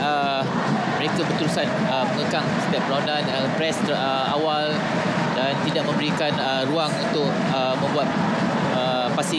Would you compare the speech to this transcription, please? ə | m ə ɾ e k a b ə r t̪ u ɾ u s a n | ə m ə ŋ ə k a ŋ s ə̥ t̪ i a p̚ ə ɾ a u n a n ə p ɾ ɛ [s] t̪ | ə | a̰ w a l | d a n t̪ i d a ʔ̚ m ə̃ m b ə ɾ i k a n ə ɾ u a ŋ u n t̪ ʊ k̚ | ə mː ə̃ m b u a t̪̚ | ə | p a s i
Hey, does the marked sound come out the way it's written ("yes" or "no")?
yes